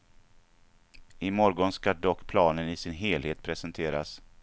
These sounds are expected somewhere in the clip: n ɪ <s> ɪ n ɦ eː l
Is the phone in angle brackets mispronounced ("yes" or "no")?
no